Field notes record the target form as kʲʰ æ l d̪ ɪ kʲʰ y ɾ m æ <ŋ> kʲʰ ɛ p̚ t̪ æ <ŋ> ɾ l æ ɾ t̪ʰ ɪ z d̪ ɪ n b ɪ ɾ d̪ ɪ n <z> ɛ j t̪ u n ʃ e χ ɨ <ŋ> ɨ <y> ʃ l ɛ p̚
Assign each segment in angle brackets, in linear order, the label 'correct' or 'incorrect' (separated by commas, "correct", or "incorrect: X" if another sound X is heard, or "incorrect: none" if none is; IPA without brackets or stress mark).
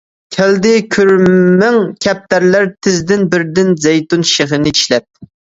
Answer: correct, incorrect: none, correct, incorrect: n, incorrect: i